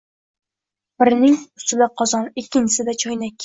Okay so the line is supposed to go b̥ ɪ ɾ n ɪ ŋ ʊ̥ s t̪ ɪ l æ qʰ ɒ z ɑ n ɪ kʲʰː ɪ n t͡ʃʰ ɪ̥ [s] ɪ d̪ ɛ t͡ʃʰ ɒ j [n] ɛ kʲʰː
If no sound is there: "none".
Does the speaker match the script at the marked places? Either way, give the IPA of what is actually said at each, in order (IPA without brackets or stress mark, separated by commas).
s, n